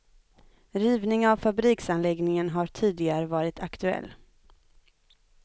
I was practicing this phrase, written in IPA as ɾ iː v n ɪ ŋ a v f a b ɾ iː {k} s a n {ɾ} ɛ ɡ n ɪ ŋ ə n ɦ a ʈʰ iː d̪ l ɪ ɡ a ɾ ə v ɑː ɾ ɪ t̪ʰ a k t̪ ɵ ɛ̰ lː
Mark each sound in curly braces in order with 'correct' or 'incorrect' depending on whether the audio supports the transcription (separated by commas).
correct, incorrect